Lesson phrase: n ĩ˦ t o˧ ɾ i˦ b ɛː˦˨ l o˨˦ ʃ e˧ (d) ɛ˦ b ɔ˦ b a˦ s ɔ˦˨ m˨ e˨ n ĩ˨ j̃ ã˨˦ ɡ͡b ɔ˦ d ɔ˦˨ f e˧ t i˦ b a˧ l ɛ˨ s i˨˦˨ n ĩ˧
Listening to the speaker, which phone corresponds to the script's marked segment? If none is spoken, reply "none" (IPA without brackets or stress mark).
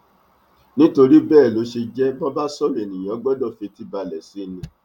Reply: d͡ʒ